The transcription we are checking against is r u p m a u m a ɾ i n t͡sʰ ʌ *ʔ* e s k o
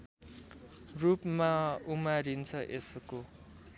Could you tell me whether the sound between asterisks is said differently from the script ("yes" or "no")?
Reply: no